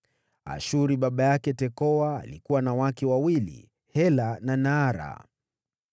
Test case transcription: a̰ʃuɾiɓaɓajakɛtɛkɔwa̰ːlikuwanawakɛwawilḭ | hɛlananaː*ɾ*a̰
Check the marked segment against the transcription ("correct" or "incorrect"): correct